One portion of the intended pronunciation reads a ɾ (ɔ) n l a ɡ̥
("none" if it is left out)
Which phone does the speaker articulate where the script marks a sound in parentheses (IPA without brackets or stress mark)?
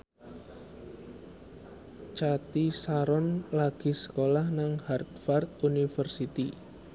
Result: ɔ